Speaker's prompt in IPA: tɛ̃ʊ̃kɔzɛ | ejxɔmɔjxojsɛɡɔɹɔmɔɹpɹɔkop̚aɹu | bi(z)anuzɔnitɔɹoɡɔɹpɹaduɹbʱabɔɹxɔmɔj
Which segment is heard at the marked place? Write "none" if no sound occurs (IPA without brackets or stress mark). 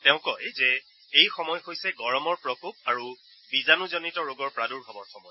z